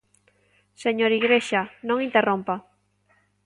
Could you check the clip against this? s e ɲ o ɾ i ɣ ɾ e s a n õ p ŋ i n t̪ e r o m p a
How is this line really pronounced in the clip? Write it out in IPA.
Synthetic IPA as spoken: s e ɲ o ɾ i ɣ ɾ e ʃ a n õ ŋ i n t̪ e r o m p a